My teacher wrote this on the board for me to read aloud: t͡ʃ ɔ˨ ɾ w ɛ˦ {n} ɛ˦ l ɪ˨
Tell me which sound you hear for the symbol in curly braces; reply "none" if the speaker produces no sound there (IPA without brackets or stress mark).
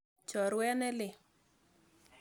n